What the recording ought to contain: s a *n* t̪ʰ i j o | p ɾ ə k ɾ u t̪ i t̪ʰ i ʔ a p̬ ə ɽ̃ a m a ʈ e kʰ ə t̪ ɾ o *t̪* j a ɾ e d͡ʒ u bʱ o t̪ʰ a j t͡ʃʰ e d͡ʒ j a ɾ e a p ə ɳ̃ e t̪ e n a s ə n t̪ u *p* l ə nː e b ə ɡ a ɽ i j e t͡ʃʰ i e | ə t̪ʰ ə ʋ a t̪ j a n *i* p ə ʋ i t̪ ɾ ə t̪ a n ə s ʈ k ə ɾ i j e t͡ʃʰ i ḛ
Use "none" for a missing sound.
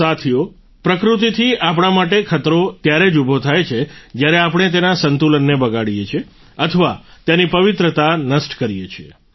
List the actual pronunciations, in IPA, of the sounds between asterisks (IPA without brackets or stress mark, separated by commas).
none, t̪, none, i